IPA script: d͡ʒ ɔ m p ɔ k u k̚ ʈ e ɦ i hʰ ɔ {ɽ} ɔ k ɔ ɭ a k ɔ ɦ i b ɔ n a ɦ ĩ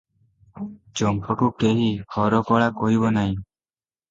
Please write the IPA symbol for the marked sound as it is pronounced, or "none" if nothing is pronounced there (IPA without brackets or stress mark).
ɾ